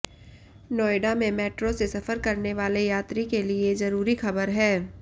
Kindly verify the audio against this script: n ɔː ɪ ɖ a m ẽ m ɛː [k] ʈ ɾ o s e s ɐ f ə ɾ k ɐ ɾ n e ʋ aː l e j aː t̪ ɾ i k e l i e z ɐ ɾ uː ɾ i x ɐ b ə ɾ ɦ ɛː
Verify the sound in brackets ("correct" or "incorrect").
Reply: incorrect